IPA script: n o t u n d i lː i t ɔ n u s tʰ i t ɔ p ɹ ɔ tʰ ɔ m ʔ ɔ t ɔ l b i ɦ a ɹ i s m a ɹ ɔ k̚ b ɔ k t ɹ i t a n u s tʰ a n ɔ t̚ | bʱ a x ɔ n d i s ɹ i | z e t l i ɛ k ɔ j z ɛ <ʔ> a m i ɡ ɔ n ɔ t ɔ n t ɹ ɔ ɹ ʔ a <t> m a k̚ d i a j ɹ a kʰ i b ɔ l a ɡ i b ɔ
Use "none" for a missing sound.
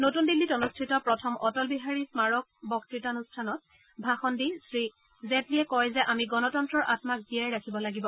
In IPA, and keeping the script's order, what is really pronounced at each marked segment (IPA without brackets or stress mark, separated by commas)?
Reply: ʔ, t